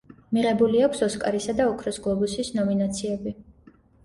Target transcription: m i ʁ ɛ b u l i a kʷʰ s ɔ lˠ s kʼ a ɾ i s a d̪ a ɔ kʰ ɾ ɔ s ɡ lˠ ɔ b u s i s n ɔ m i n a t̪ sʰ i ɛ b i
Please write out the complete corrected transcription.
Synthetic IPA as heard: m i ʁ ɛ b u l i a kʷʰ s ɔ s kʼ a ɾ i s a d̪ a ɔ kʰ ɾ ɔ s ɡ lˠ ɔ b u s i s n ɔ m i n a t̪ sʰ i ɛ b i